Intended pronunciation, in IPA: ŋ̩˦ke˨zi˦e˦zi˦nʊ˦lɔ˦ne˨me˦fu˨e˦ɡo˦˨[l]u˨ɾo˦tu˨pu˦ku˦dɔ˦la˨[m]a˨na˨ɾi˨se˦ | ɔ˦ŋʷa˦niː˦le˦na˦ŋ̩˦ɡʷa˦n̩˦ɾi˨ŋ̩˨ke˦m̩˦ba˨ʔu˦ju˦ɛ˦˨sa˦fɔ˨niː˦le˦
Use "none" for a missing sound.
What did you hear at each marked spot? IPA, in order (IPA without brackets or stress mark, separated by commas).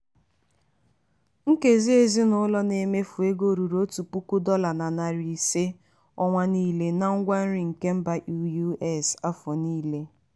ɾ, n